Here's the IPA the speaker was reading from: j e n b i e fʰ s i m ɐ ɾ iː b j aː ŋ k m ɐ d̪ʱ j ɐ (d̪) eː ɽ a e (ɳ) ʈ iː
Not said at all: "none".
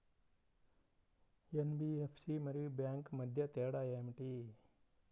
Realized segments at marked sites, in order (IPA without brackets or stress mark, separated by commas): t̪, m